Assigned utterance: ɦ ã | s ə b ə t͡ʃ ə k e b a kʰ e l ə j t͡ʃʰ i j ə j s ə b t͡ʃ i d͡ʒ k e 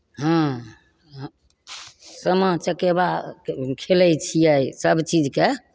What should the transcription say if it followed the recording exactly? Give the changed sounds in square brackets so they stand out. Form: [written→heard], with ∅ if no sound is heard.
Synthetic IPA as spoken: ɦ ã | s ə [b→m] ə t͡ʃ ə k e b a kʰ e l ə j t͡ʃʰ i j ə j s ə b t͡ʃ i d͡ʒ k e